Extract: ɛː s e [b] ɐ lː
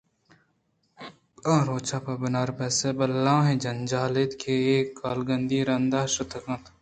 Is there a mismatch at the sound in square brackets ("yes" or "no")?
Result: no